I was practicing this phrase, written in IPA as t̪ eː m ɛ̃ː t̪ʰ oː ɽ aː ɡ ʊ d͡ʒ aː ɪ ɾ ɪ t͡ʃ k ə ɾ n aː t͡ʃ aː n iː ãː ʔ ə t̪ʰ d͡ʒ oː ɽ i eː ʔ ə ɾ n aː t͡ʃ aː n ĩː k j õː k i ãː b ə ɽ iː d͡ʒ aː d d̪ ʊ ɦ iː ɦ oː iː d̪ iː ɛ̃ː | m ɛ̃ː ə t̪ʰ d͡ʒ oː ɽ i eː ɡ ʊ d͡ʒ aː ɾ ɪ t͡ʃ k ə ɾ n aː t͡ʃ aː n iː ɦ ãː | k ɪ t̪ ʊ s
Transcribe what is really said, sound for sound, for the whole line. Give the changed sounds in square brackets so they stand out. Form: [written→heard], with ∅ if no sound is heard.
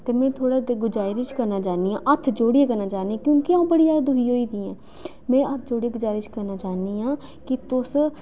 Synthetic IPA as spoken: t̪ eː m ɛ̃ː t̪ʰ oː ɽ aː ɡ ʊ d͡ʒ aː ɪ ɾ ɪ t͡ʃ k ə ɾ n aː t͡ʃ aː n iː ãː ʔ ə t̪ʰ d͡ʒ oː ɽ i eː [ʔ→k] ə ɾ n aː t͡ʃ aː n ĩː k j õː k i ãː b ə ɽ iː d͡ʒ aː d d̪ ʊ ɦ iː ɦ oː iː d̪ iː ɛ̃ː | m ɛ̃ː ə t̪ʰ d͡ʒ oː ɽ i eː ɡ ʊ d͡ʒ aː ɾ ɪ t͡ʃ k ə ɾ n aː t͡ʃ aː n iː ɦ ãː | k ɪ t̪ ʊ s